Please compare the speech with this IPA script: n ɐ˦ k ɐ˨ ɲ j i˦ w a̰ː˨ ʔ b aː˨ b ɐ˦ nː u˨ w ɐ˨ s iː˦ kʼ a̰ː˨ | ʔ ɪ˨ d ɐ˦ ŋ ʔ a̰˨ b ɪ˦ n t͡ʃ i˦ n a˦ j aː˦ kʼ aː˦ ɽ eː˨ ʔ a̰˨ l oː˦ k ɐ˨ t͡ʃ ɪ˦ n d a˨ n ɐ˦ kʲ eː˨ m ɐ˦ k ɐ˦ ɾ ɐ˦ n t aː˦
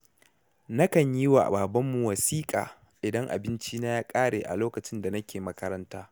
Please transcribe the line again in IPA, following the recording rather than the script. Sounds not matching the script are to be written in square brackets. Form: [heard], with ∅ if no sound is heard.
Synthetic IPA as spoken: n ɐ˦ k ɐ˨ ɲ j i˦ w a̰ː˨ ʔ b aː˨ b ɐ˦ [mː] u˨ w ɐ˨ s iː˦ kʼ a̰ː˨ | ʔ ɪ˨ d ɐ˦ ŋ ʔ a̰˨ b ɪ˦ n t͡ʃ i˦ n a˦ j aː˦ kʼ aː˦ ɽ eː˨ ʔ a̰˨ l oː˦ k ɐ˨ t͡ʃ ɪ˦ n d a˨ n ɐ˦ kʲ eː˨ m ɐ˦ k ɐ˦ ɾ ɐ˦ n t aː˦